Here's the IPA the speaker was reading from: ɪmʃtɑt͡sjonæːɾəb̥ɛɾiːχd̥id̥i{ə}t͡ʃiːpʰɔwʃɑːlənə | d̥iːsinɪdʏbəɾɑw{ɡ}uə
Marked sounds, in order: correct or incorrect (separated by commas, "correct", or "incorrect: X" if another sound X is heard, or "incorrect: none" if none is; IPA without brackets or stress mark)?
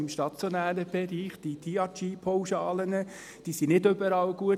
incorrect: ɑ, correct